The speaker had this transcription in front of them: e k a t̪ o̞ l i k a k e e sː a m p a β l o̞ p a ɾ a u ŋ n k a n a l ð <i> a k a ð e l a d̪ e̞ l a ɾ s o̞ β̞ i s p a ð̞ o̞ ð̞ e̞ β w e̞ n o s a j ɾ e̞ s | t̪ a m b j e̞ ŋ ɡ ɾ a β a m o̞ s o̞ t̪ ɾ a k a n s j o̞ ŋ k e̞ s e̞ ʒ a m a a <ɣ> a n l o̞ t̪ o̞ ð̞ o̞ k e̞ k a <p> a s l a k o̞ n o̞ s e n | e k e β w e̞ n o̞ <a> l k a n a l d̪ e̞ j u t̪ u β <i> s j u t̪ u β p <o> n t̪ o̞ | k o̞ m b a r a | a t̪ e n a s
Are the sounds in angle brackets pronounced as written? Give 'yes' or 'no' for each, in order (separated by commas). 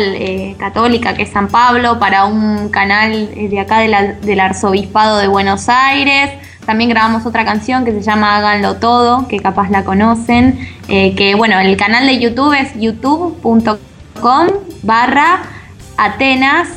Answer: no, yes, yes, no, no, no